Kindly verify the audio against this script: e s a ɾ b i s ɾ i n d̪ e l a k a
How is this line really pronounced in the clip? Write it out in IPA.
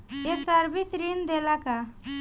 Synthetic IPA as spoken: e s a ɾ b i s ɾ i n d̪ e l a k a